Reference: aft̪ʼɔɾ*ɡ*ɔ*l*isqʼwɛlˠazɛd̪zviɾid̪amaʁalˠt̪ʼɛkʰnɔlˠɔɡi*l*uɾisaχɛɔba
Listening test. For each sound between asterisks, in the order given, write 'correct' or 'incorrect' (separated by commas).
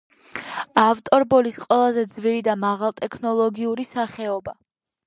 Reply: incorrect, correct, incorrect